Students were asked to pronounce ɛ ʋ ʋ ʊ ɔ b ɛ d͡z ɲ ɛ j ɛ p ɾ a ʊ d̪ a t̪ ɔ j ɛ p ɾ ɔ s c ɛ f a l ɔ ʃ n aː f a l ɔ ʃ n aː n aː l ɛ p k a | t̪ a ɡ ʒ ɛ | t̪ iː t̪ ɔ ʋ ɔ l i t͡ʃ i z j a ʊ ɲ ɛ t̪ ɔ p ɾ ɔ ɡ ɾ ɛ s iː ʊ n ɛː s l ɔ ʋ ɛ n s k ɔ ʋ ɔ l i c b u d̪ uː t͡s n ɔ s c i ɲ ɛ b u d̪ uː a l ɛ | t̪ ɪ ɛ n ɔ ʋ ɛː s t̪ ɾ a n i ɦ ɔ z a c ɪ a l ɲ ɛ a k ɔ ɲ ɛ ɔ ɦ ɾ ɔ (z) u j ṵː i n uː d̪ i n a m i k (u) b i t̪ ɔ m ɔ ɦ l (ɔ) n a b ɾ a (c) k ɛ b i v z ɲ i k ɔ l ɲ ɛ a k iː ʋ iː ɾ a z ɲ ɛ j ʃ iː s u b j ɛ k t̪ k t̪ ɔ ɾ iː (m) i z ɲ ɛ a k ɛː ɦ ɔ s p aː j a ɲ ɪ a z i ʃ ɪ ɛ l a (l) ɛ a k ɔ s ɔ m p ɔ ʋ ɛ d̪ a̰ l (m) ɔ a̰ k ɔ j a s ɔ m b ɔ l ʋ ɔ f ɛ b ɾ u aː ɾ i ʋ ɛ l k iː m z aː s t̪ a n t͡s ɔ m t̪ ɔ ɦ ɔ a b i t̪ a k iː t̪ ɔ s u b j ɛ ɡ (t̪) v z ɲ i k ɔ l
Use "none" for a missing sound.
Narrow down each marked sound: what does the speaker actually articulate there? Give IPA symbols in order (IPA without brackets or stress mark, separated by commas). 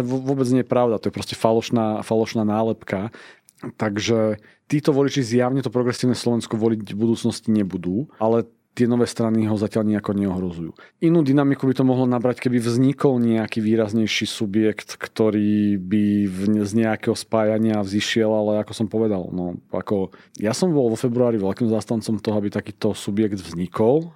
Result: z, u, ɔ, c, b, l, n, d̪